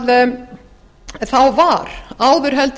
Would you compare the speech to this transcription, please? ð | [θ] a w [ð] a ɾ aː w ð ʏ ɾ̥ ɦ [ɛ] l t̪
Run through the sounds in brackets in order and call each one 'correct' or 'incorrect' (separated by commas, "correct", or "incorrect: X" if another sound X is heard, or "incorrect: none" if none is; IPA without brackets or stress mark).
correct, incorrect: v, correct